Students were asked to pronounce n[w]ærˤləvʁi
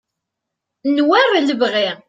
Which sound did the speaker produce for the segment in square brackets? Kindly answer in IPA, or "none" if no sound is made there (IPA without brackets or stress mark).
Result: w